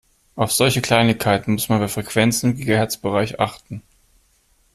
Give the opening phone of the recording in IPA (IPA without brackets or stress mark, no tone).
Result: ʔ